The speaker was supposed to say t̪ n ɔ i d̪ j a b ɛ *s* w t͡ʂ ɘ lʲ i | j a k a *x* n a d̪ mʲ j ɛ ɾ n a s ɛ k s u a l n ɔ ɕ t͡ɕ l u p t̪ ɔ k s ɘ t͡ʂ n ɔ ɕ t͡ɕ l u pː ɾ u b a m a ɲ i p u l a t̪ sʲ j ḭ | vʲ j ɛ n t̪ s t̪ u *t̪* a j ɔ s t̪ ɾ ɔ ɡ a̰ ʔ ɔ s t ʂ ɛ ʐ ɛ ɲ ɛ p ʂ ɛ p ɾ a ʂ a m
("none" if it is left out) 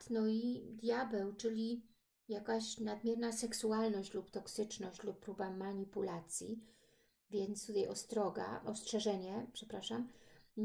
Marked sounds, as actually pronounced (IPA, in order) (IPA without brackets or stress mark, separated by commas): none, ɕ, t̪